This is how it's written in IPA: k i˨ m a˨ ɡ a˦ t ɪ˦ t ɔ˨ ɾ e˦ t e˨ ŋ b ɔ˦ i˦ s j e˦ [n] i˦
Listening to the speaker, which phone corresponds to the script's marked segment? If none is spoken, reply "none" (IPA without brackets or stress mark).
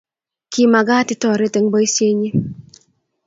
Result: ɲ